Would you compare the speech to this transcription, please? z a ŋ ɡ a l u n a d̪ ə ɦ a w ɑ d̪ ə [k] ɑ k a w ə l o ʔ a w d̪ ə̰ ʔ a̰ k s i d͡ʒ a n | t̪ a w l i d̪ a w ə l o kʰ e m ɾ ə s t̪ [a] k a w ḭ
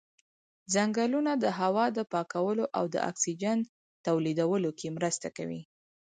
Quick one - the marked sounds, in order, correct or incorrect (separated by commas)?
incorrect, correct